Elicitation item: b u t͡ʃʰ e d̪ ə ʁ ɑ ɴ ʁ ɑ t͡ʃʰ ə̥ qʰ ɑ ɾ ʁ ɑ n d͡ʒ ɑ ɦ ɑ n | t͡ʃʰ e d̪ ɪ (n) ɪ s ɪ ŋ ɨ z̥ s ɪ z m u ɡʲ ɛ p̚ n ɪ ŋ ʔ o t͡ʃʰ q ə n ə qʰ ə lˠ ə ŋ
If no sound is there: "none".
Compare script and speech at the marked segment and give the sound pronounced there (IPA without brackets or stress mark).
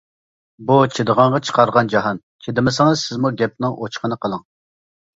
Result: m